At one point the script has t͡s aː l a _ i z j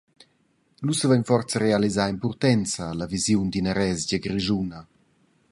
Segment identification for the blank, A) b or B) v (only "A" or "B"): B